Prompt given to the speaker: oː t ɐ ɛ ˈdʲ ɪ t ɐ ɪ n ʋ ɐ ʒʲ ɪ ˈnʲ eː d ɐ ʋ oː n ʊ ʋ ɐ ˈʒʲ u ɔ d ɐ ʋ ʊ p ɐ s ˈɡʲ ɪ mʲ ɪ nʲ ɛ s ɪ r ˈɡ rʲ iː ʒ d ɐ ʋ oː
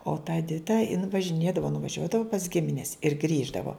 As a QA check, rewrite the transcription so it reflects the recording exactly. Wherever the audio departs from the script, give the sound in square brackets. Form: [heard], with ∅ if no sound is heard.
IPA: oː t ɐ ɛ ˈdʲ ɪ t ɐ ɪ n ʋ ɐ ʒʲ ɪ ˈnʲ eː d ɐ ʋ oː n ʊ ʋ ɐ ˈʒʲ u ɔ d ɐ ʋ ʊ p ɐ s ˈɡʲ ɪ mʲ ɪ nʲ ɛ s ɪ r ˈɡ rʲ iː ʒ d ɐ ʋ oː